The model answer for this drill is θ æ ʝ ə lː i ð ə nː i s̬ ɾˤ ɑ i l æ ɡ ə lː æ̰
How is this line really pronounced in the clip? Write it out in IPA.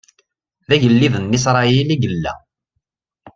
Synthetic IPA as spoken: ð æ ʝ ə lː i ð ə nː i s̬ ɾˤ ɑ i l i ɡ ə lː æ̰

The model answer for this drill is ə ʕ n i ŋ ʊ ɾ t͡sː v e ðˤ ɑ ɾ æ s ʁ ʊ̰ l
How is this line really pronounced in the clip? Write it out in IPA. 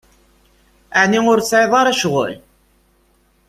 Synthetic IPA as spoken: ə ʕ n i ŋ ʊ ɾ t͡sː ʕ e ðˤ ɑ ɾ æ ʃ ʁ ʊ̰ l

